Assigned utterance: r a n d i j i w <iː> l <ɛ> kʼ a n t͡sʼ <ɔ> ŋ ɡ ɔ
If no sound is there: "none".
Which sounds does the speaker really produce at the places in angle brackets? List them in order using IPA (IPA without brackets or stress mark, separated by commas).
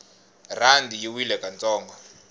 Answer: i, ɛ, ɔː